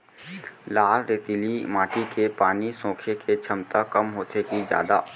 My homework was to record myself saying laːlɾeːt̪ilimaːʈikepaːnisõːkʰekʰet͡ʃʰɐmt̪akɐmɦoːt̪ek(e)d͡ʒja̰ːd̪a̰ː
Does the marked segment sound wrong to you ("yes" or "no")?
yes